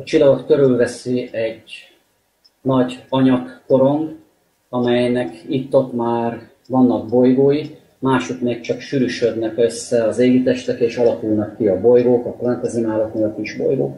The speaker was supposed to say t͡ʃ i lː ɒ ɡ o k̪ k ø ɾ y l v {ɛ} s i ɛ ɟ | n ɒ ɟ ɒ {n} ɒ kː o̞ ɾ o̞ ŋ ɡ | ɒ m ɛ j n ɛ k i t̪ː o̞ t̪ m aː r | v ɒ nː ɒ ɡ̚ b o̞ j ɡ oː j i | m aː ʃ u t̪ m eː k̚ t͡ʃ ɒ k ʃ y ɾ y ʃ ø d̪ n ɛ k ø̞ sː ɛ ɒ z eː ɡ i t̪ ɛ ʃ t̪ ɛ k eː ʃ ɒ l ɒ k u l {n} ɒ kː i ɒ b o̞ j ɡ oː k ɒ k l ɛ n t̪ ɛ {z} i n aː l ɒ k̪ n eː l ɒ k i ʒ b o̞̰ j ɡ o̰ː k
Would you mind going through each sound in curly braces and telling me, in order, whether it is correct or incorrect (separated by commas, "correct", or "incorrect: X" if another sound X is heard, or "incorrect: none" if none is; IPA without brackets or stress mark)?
correct, incorrect: ɲ, correct, correct